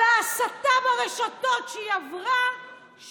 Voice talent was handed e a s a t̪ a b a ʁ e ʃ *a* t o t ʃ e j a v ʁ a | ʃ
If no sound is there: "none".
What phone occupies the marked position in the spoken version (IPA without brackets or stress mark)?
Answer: a